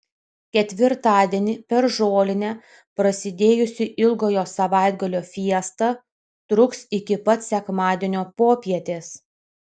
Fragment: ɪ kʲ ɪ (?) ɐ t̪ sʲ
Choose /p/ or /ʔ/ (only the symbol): p